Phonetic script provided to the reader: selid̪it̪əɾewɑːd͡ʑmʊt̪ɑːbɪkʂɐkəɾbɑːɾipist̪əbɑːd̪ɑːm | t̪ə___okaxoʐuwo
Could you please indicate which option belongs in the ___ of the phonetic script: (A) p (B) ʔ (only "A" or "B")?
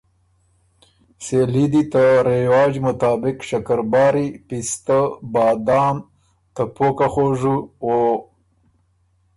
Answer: A